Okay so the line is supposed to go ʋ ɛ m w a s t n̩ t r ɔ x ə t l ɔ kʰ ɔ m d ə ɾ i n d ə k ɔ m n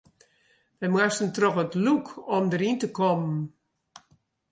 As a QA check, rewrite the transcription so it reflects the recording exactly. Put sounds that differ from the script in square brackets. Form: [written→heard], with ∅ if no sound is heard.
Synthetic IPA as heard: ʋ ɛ m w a s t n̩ t r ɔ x ə t l [ɔ→u] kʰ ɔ m d ə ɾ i n [d→t] ə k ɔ m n

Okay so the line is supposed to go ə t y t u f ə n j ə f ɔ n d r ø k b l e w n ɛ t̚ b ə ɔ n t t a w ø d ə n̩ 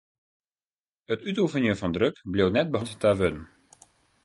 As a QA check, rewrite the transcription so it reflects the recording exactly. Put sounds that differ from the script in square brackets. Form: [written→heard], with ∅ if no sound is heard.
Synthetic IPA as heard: ə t y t u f ə n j ə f ɔ n d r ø k b l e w n ɛ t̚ b ə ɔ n t t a [w→ʋ] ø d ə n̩

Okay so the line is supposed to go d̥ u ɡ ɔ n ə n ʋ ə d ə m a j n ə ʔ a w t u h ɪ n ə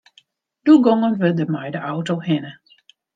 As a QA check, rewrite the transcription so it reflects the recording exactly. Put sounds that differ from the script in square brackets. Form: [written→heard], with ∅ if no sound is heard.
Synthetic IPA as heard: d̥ u ɡ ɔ [n→ŋ] ə n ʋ ə d ə m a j [n→d] ə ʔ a w t [u→o] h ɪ n ə

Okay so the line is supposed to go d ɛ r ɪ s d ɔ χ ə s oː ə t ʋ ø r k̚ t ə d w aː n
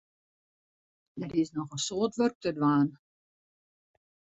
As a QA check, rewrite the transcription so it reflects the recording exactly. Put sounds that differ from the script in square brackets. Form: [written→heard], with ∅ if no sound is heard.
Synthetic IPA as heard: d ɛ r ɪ s [d→n] ɔ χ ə s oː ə t ʋ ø r k̚ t ə d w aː n

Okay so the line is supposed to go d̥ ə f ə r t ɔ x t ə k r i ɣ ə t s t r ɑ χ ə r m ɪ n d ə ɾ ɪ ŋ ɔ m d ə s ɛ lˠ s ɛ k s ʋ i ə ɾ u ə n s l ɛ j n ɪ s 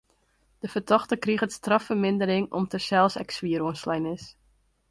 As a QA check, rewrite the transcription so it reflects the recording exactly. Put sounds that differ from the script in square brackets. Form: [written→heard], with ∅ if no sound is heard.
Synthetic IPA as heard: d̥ ə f ə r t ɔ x t ə k r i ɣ ə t s t r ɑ [χ→f] ə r m ɪ n d ə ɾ ɪ ŋ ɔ m [d→t] ə s ɛ lˠ s ɛ k s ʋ i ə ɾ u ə n s l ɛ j n ɪ s

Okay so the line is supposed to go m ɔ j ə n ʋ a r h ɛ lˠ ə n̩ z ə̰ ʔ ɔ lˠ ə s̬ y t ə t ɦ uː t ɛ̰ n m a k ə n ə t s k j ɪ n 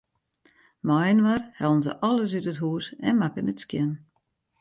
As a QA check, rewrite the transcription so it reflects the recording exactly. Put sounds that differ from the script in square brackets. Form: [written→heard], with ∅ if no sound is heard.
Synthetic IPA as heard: m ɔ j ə n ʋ a r h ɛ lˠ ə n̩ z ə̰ ʔ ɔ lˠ ə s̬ y t ə t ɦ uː [t→s] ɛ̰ n m a k ə n ə t s k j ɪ n

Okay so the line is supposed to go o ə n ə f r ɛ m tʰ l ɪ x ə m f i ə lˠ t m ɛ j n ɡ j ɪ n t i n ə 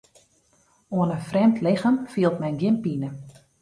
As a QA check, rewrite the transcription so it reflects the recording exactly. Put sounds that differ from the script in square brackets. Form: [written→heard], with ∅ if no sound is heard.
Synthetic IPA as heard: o ə n ə f r ɛ m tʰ l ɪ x ə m f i ə lˠ t m ɛ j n ɡ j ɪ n [t→p] i n ə

